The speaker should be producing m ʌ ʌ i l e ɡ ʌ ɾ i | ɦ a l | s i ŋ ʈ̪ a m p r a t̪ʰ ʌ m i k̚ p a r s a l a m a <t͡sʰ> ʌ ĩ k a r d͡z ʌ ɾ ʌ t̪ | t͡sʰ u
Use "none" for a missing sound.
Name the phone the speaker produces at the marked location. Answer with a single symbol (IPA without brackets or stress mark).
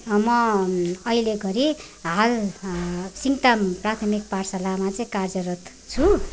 t͡s